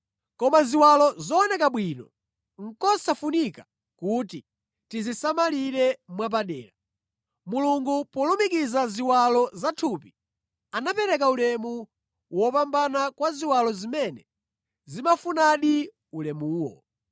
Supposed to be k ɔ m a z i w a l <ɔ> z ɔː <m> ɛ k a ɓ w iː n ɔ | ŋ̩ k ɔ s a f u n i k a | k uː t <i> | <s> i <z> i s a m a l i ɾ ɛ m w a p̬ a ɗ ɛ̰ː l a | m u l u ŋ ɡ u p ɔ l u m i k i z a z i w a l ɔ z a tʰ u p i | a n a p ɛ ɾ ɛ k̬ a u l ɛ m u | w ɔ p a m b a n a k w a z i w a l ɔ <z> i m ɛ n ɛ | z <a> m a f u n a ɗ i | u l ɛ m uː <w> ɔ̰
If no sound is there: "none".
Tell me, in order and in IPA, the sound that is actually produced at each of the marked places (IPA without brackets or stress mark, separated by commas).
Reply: ɔ, n, i, t, z, z, i, w